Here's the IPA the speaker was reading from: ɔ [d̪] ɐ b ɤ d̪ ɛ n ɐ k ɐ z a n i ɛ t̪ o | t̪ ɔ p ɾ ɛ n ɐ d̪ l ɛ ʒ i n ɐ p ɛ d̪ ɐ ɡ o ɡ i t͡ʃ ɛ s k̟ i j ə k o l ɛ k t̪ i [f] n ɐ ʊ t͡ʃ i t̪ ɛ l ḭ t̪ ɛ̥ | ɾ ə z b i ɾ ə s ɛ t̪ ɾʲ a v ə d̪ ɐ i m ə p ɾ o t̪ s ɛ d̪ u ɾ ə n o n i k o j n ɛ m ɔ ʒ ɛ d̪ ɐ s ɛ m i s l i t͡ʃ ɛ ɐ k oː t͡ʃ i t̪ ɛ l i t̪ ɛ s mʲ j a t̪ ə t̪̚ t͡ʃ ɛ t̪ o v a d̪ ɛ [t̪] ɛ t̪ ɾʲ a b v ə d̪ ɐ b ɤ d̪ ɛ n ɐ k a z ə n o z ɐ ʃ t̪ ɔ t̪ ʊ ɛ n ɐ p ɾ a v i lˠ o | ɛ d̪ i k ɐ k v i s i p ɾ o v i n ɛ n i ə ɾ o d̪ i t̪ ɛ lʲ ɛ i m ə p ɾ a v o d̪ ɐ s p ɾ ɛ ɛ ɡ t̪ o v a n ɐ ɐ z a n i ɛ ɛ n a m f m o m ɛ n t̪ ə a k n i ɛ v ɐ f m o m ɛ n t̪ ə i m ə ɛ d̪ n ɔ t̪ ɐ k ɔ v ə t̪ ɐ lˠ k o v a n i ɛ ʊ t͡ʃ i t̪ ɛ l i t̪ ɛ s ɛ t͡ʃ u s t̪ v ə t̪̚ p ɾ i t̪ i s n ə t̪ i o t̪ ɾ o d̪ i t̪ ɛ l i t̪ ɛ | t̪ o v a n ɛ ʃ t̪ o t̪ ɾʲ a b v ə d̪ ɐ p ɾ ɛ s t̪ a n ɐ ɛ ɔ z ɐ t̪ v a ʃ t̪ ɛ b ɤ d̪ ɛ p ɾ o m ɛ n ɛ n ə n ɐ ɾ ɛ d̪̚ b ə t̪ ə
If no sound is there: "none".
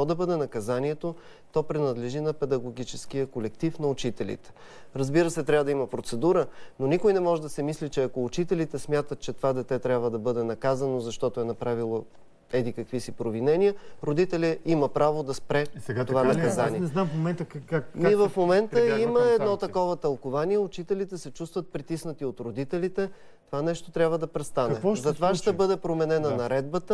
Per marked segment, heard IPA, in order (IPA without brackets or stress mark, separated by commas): d̪, f, t̪